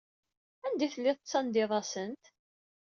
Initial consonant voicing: voiced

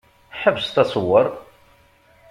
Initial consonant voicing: voiceless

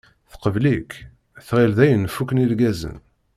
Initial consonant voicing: voiceless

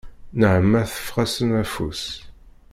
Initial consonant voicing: voiced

